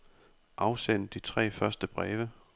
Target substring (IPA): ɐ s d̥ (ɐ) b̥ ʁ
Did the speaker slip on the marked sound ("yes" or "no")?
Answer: yes